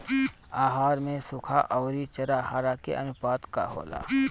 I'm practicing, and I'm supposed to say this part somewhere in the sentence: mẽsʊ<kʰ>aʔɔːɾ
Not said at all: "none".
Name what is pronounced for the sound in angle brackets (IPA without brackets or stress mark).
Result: kʰ